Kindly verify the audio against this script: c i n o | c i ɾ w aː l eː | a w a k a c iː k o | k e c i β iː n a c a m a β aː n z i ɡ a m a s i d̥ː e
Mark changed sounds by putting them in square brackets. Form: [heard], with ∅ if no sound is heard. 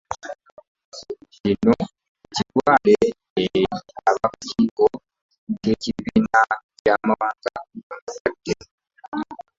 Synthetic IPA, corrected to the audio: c i n o | c i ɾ w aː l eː | a [β] a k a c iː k o | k e c i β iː n a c a m a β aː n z [a] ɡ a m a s [a] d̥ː e

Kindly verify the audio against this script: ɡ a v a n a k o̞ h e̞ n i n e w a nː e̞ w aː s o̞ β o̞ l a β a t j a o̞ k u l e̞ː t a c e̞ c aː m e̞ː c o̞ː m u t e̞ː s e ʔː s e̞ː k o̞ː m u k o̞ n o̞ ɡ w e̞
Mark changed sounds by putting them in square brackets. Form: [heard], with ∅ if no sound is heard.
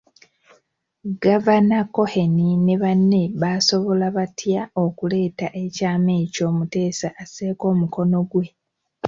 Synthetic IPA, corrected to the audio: ɡ a v a n a k o̞ h e̞ n i n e [β] a nː e̞ [β] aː s o̞ β o̞ l a β a t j a o̞ k u l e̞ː t a [ʔ] e̞ c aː m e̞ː c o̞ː m u t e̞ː s [a] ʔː s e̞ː k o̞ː m u k o̞ n o̞ ɡ w e̞

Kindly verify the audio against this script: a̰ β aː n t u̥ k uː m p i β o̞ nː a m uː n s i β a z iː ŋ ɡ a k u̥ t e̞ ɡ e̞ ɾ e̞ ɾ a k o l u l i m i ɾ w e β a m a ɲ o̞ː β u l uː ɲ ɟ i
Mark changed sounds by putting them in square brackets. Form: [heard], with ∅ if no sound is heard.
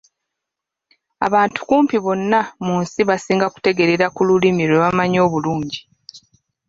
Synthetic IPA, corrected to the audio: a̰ β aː n t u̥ k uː m p i β o̞ nː a m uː n s i β a [s] iː ŋ ɡ a k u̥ t e̞ ɡ e̞ ɾ e̞ ɾ a k [u] l u l i m i ɾ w e β a m a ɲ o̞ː β u l uː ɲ ɟ i

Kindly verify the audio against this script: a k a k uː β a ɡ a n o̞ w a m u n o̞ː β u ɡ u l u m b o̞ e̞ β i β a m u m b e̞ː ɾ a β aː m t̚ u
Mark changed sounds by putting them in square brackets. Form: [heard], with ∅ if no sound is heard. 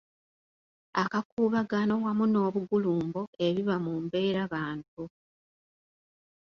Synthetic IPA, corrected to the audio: a k a k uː β a ɡ a n o̞ w a m u n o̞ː β u ɡ u l [uː] m b o̞ e̞ β i β a m u m b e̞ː ɾ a β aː [n] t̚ u

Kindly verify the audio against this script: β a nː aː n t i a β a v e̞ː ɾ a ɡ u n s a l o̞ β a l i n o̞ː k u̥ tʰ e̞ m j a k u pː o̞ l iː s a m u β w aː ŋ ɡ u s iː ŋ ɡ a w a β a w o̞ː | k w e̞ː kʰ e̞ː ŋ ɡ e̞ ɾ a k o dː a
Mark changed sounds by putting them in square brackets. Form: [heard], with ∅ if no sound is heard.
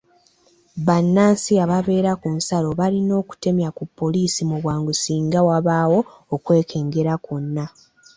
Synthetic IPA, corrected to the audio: β a nː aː n [s] i a β a [β] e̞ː ɾ a [k] u n s a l o̞ β a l i n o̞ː k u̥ [t] e̞ m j a k u pː o̞ l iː s [i] m u β w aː ŋ ɡ u s iː ŋ ɡ a w a β a w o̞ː | k w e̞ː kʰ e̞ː ŋ ɡ e̞ ɾ a k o [nː] a

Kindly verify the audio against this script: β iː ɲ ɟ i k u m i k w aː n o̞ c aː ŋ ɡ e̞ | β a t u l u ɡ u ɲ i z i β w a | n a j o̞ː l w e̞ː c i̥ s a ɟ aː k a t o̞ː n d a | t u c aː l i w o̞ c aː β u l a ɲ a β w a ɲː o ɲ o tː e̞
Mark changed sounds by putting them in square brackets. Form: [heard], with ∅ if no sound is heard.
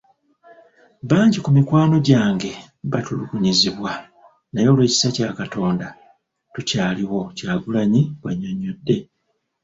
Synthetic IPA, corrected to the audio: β [aː] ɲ ɟ i k u m i k w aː n o̞ [ɟ] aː ŋ ɡ e̞ | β a t u l u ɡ u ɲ i z i β w a | n a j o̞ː l w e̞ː c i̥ s a [c] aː k a t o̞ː n d a | t u c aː l i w o̞ c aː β u l a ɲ [i] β w a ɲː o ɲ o [dː] e̞

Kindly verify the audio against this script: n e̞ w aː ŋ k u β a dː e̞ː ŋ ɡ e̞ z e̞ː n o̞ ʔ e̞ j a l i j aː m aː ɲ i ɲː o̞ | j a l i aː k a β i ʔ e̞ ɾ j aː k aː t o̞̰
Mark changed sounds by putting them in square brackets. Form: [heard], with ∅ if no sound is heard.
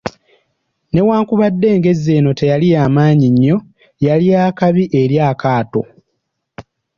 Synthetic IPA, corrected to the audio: n e̞ w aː ŋ k u β a dː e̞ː ŋ ɡ e̞ z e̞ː n o̞ [t] e̞ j a l i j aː m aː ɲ i ɲː o̞ | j a l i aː k a β i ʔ e̞ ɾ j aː k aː t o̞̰

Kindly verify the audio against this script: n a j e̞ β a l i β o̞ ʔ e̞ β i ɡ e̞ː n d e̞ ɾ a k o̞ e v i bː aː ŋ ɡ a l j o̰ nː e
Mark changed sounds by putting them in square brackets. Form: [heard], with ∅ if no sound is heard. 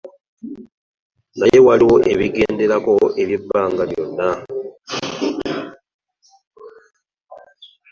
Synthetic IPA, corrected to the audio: n a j e̞ [w] a l i [w] o̞ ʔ e̞ β i ɡ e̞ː n d e̞ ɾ a k o̞ e [β] i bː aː ŋ ɡ a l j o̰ nː [a]

